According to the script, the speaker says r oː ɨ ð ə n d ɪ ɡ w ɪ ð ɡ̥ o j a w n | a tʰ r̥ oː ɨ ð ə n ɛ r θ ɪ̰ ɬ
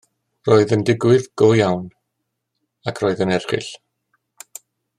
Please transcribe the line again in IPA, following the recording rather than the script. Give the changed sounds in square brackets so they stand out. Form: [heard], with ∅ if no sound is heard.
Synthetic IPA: r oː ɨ ð ə n d ɪ ɡ w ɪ ð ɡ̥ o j a w n | a [kʰ] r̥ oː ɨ ð ə n ɛ r [χ] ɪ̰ ɬ